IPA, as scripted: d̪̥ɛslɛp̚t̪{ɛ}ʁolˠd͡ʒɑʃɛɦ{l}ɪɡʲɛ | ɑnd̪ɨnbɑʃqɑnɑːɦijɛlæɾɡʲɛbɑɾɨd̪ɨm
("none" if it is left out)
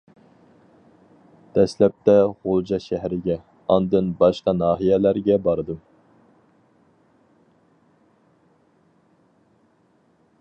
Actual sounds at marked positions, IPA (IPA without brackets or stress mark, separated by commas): ɛ, ɾ